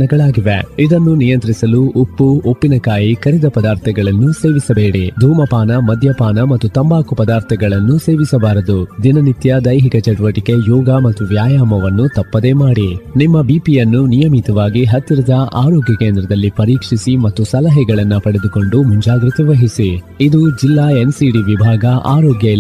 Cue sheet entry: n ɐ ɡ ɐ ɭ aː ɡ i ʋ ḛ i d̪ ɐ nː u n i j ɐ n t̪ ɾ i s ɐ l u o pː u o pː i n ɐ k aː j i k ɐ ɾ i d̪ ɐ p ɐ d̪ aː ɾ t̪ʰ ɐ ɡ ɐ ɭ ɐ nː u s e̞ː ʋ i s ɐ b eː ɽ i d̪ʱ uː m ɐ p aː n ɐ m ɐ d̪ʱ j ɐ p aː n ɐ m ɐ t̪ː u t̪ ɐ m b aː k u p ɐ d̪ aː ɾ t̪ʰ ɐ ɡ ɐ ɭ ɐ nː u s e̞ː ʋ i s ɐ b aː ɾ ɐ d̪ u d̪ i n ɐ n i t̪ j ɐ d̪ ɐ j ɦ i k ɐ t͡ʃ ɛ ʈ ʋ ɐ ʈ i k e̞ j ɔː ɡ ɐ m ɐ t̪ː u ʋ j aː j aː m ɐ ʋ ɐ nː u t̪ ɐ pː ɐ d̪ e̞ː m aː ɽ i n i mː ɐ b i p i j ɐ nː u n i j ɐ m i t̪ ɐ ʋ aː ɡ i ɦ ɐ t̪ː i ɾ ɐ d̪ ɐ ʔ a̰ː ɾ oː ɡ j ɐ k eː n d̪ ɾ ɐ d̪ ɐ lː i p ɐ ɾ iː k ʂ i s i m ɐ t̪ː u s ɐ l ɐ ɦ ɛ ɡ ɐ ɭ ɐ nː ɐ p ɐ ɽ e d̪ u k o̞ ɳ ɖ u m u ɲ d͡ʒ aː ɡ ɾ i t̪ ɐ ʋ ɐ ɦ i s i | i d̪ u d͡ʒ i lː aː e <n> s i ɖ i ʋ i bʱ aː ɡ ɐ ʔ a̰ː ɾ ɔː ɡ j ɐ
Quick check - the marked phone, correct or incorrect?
correct